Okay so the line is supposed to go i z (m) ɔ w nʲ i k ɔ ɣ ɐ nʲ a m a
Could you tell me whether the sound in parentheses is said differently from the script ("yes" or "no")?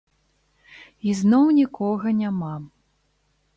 yes